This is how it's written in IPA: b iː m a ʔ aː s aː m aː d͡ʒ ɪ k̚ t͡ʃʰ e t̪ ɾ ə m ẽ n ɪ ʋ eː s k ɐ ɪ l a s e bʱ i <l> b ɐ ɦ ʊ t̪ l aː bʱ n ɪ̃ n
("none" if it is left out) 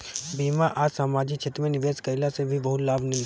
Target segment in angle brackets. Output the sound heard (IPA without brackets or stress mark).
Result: none